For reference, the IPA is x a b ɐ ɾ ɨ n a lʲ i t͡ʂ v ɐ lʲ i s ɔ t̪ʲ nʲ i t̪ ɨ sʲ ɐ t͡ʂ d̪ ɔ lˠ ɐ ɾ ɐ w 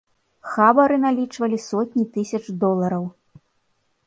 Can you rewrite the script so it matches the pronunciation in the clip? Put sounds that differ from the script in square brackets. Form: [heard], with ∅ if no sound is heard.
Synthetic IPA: x a b ɐ ɾ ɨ n a lʲ i t͡ʂ v ɐ lʲ i s ɔ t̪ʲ nʲ i t̪ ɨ sʲ ɐ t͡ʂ d̪ ɔ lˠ ɐ ɾ ɐ w